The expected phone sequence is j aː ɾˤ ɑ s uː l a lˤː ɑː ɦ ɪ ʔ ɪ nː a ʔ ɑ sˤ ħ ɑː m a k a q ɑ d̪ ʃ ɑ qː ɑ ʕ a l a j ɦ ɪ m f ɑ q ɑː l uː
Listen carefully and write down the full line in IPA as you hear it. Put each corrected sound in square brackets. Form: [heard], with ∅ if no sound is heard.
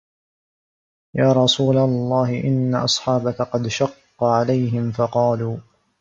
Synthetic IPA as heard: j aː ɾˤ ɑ s uː l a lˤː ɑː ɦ ɪ ʔ ɪ nː a ʔ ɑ sˤ ħ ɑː [b] a k a q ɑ d̪ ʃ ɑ qː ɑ ʕ a l a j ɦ ɪ m f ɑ q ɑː l uː

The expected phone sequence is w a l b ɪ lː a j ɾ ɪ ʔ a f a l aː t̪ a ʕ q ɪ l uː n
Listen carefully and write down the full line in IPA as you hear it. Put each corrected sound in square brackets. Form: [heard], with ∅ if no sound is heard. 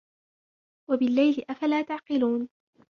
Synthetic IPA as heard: w a [∅] b ɪ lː a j [l] ɪ ʔ a f a l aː t̪ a ʕ q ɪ l uː n

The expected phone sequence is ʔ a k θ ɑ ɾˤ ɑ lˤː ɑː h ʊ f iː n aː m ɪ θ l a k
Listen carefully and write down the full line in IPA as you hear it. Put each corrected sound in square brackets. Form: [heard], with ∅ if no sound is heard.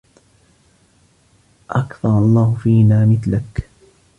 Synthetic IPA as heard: ʔ a k θ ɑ ɾˤ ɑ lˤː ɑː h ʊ f iː n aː m ɪ θ l a k

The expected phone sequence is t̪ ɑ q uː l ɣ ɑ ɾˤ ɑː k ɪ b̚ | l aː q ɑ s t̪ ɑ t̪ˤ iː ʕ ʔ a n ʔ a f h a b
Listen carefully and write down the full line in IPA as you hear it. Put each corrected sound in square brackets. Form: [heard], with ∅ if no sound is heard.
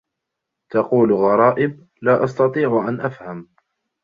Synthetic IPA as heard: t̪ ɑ q uː l ɣ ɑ ɾˤ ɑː [ʔ] ɪ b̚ | l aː [ʔ] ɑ s t̪ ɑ t̪ˤ iː ʕ ʔ a n ʔ a f h a [m]

